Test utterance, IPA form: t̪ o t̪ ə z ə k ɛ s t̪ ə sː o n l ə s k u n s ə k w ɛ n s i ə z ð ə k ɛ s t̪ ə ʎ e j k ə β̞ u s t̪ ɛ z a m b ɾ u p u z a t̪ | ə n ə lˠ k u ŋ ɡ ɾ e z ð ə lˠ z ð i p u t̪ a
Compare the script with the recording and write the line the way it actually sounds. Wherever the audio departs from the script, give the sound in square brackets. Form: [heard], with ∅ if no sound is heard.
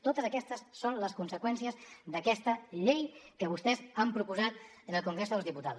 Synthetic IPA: t̪ o t̪ ə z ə k ɛ s t̪ ə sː o n l ə s k u n s ə k w ɛ n s i ə z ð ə k ɛ s t̪ ə ʎ e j k ə β̞ u s t̪ ɛ z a m [p] ɾ u p u z a t̪ | ə n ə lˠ k u ŋ ɡ ɾ e z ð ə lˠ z ð i p u t̪ a